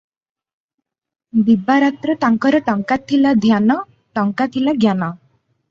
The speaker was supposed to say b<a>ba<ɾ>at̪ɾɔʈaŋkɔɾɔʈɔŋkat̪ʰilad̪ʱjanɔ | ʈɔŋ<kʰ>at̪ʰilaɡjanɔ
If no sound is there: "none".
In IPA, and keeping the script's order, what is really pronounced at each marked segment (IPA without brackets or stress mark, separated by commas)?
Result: i, ɾ, k